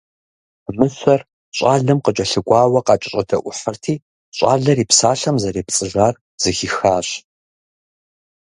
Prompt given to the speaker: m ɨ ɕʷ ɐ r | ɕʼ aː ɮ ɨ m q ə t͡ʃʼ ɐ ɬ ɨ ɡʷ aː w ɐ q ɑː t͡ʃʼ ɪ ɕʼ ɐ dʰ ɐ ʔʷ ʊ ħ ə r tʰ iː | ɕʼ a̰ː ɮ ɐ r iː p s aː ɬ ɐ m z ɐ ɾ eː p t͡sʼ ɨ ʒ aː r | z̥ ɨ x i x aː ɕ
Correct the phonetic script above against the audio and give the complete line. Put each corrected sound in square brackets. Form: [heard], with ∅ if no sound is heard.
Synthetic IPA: m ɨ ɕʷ ɐ r | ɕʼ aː ɮ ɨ m q ə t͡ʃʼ ɐ ɬ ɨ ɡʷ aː w ɐ q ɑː t͡ʃʼ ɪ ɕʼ ɐ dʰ ɐ ʔʷ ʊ ħ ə r tʰ iː | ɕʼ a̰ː ɮ ɐ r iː p s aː ɬ ɐ m z ɐ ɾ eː p t͡sʼ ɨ ʒ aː r | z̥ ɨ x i x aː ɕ